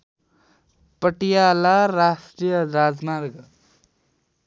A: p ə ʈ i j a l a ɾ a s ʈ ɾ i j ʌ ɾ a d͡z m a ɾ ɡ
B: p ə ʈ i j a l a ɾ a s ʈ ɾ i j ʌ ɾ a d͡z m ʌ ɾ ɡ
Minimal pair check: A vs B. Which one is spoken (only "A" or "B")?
A